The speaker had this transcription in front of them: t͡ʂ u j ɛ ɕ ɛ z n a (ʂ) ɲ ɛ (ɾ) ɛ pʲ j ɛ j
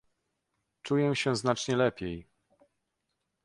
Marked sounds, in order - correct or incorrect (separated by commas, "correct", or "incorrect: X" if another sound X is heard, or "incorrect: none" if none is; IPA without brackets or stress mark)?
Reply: incorrect: t͡ʂ, incorrect: l